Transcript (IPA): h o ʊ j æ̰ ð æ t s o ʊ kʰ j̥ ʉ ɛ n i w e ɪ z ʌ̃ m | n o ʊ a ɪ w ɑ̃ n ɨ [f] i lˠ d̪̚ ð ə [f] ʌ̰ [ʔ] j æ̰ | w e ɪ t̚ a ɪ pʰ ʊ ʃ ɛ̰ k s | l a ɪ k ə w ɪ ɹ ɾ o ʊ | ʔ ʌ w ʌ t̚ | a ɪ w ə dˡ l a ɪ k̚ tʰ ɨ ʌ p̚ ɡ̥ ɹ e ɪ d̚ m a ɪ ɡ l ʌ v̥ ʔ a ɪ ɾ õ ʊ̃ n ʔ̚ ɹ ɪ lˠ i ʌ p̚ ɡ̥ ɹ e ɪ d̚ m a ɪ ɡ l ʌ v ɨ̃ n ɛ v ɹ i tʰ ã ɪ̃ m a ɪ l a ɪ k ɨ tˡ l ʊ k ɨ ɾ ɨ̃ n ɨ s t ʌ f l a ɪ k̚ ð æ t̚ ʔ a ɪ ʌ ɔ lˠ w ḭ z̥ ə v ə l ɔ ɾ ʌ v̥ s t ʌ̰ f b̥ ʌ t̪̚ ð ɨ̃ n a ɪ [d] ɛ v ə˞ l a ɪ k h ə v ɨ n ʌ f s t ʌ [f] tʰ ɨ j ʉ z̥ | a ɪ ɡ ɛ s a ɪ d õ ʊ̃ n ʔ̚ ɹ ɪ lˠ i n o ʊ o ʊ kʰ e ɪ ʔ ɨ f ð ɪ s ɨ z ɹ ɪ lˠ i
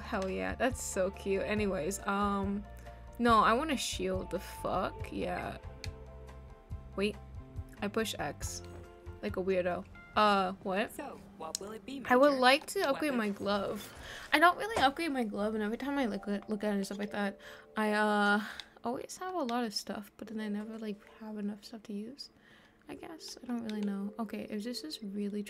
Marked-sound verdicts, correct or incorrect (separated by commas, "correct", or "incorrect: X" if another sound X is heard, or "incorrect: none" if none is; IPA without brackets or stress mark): incorrect: ʃ, correct, incorrect: k, incorrect: n, correct